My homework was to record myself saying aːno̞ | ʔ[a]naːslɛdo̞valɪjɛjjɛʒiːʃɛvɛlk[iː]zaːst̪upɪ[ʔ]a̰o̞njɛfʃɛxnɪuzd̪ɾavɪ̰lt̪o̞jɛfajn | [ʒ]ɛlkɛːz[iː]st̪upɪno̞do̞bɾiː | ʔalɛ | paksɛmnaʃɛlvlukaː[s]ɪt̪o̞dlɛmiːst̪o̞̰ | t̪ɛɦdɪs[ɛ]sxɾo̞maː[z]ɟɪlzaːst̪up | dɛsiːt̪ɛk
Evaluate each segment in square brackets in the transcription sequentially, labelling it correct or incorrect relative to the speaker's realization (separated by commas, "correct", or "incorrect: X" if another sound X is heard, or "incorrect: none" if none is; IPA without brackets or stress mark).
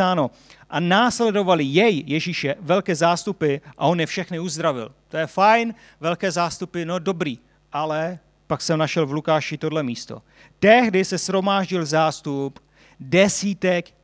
correct, incorrect: ɛː, correct, incorrect: v, incorrect: aː, incorrect: ʃ, correct, incorrect: ʒ